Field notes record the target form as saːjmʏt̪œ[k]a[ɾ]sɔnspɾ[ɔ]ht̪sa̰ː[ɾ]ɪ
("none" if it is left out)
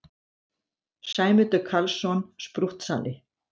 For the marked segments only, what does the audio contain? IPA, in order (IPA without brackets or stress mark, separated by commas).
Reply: kʰ, l, u, l